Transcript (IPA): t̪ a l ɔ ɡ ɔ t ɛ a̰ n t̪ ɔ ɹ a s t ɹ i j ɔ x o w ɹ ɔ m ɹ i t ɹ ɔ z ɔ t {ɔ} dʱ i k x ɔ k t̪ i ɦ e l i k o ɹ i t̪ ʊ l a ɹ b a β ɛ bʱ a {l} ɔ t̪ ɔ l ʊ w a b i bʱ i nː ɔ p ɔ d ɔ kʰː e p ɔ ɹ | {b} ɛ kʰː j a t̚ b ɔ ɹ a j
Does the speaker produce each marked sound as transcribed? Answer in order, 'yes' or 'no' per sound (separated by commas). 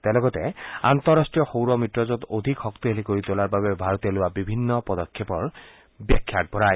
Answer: no, no, yes